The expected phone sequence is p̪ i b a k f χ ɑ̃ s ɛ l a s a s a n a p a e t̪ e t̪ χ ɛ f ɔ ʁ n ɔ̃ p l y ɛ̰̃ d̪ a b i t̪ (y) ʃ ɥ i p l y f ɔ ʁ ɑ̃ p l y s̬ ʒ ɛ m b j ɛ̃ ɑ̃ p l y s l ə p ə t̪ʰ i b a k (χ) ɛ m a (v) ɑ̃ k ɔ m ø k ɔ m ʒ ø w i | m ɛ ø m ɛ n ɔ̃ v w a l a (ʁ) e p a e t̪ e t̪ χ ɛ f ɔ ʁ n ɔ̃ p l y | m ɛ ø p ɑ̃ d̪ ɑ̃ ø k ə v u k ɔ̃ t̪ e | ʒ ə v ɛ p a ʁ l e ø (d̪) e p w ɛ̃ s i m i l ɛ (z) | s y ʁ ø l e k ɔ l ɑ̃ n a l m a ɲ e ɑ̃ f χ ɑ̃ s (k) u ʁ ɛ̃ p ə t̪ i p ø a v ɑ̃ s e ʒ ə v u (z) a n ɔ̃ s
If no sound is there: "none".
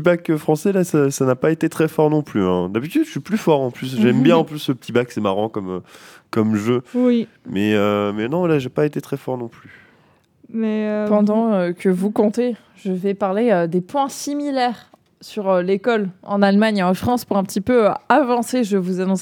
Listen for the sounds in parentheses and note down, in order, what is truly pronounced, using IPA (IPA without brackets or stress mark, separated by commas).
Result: y, s, ʁ, ʒ, d̪, ʁ, p, z